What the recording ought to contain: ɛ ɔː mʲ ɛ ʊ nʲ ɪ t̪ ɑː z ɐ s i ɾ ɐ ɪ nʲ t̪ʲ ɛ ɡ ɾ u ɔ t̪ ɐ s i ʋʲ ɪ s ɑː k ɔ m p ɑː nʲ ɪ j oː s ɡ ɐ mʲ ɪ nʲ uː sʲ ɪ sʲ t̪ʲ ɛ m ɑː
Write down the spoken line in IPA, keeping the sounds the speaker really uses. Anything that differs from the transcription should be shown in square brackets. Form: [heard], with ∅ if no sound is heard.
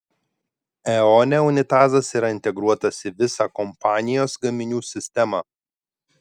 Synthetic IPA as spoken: ɛ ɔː [nʲ] ɛ ʊ nʲ ɪ t̪ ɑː z ɐ s i ɾ ɐ ɪ nʲ t̪ʲ ɛ ɡ ɾ u ɔ t̪ ɐ s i ʋʲ ɪ s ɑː k ɔ m p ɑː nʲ ɪ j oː s ɡ ɐ mʲ ɪ nʲ uː sʲ ɪ sʲ t̪ʲ ɛ m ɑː